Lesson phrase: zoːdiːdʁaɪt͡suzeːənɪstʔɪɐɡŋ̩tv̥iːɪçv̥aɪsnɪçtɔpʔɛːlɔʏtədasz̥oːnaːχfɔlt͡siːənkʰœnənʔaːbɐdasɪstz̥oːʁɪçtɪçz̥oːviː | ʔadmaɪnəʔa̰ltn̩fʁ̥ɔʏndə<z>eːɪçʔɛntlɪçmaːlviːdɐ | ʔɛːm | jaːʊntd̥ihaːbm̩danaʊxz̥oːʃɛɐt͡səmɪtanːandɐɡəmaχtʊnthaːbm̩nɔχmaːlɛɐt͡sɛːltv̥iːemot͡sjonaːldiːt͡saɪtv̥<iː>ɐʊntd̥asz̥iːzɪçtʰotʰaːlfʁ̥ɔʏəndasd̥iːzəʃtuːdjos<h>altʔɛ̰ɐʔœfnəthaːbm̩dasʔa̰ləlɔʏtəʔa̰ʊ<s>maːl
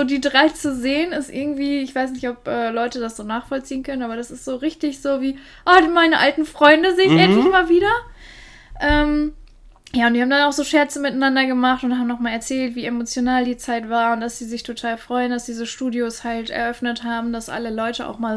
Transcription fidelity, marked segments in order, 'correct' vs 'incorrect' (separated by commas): correct, incorrect, correct, incorrect